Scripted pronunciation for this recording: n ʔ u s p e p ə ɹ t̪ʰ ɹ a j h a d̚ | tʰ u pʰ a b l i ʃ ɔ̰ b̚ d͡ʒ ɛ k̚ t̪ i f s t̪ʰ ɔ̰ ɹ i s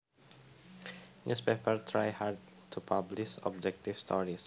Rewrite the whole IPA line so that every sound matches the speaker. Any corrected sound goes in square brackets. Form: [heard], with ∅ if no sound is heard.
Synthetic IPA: n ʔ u s p e p ə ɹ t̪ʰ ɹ a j h a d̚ | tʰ u pʰ a b l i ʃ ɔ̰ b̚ d͡ʒ ɛ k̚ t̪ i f s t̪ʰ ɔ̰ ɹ i s